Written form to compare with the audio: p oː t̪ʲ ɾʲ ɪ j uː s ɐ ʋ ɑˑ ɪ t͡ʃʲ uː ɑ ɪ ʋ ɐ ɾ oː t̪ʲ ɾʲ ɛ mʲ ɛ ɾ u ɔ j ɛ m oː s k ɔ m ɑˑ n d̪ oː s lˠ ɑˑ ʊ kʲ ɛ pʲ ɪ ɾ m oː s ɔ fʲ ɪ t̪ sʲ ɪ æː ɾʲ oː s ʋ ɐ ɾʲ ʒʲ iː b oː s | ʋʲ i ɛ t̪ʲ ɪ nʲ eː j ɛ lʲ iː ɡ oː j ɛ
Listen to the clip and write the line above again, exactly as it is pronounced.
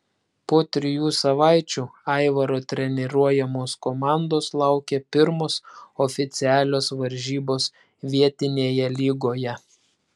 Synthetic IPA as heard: p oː t̪ʲ ɾʲ ɪ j uː s ɐ ʋ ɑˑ ɪ t͡ʃʲ uː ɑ ɪ ʋ ɐ ɾ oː t̪ʲ ɾʲ ɛ nʲ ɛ ɾ u ɔ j ɛ m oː s k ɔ m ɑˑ n d̪ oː s lˠ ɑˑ ʊ kʲ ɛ pʲ ɪ ɾ m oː s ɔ fʲ ɪ t̪ sʲ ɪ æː lʲ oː s ʋ ɐ ɾʲ ʒʲ iː b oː s | ʋʲ i ɛ t̪ʲ ɪ nʲ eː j ɛ lʲ iː ɡ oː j ɛ